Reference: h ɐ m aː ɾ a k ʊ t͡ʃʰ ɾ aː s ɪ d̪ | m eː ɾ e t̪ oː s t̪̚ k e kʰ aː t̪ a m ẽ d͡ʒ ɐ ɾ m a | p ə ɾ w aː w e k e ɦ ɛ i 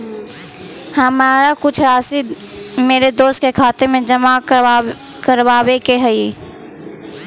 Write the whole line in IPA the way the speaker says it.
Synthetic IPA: h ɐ m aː ɾ a k ʊ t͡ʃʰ ɾ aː s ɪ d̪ | m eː ɾ e d̪ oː s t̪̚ k e kʰ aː t̪ e m ẽ d͡ʒ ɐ m a | k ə ɾ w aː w e k e ɦ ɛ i